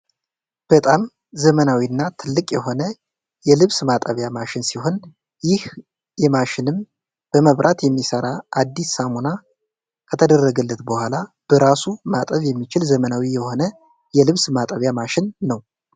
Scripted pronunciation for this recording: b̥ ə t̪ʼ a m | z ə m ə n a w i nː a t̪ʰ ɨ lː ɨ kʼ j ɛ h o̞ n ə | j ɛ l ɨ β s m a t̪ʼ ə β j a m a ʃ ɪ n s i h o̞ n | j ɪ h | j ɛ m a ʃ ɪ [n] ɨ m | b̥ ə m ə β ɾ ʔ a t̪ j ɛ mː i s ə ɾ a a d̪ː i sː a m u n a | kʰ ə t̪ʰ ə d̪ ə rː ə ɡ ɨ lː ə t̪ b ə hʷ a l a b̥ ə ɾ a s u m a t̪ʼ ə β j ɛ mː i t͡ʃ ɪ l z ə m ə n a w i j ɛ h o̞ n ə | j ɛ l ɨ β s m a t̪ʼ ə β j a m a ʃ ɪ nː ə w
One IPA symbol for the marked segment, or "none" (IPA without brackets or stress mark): n